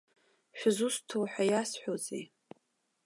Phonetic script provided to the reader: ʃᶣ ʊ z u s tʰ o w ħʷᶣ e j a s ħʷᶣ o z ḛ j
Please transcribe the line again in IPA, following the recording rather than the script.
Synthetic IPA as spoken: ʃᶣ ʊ z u s tʰ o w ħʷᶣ a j a s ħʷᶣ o z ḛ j

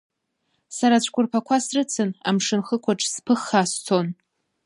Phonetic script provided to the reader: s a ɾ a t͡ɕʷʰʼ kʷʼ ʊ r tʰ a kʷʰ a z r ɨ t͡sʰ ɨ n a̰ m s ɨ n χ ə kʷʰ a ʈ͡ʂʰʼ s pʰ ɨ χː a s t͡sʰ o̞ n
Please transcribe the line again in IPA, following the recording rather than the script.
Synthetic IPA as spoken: s a ɾ a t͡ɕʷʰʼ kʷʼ ʊ r pʰ a kʷʰ a s r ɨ t͡sʰ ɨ n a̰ m ʂ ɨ n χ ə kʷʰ a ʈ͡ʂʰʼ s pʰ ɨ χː a s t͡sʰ o̞ n

